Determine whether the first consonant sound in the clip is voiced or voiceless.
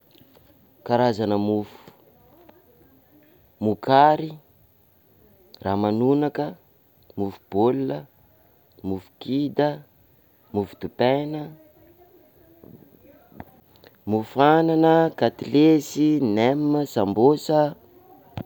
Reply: voiceless